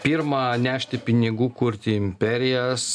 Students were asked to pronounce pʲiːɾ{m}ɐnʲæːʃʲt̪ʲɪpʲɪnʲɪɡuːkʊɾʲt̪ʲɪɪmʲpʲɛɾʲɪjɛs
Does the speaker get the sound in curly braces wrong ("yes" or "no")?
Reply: no